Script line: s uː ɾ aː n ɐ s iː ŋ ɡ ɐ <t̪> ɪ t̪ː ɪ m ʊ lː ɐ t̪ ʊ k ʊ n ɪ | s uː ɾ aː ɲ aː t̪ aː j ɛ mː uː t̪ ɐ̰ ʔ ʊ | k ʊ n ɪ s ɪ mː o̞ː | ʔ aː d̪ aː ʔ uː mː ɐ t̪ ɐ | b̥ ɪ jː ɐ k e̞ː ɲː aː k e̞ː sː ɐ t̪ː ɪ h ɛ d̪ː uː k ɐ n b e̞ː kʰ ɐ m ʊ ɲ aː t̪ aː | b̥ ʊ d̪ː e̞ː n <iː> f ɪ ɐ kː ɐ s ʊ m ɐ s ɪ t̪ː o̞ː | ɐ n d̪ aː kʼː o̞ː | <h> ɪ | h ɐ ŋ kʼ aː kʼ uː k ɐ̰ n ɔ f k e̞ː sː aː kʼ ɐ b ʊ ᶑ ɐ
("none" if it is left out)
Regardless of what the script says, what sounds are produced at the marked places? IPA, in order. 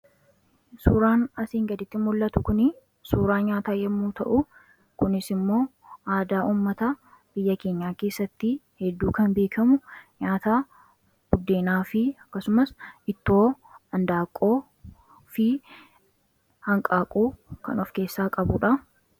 d̪, aː, f

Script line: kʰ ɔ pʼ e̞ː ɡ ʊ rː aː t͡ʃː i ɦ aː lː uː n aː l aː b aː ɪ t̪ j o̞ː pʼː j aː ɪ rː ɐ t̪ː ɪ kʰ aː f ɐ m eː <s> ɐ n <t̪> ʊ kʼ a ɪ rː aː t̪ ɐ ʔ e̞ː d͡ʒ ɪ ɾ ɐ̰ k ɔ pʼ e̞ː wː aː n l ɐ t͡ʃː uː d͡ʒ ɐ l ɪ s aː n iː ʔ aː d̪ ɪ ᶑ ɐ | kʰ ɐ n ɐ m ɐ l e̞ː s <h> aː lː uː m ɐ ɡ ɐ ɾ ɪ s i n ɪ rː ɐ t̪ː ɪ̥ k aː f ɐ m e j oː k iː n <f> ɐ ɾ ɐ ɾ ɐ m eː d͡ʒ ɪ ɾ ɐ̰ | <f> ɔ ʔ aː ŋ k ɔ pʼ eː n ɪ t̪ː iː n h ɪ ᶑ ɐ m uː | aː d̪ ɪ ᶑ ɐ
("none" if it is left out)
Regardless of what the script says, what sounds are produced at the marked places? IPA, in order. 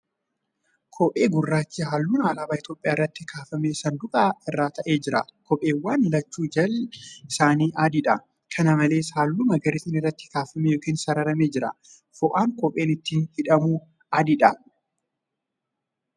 s, d̪, h, s, f

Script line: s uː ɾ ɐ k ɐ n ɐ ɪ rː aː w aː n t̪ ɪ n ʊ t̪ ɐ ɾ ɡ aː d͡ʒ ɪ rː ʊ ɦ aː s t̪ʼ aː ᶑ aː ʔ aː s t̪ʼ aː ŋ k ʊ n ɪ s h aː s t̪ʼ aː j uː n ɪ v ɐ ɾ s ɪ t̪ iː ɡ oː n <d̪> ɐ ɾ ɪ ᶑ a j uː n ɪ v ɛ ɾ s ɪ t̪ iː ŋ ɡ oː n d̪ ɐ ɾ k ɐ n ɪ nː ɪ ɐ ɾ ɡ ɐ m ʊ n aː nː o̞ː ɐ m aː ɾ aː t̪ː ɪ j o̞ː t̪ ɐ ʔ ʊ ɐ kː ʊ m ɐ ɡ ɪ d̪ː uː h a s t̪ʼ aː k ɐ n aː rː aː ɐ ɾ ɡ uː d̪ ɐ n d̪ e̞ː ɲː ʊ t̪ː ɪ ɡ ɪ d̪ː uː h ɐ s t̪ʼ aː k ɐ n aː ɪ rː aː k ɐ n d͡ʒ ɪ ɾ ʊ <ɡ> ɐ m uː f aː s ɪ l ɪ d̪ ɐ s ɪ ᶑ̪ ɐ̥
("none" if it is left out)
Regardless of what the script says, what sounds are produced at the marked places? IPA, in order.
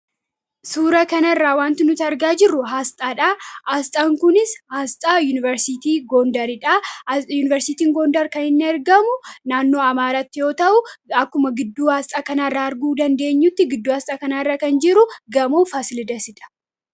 d̪, ɡ

